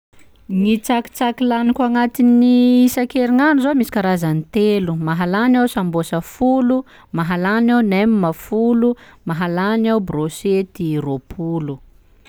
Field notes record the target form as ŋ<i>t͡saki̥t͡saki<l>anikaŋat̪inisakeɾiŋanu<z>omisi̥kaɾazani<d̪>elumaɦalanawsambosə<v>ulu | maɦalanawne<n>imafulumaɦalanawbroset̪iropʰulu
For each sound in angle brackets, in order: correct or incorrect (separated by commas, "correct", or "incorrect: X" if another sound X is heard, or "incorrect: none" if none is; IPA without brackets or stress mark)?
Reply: correct, correct, correct, incorrect: t̪, incorrect: f, incorrect: m